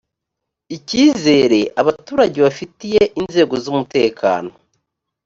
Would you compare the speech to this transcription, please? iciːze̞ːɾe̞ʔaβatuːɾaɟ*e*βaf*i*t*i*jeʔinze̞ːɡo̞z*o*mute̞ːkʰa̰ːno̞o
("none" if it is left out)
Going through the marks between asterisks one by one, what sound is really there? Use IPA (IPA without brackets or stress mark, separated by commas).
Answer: e, i, i, u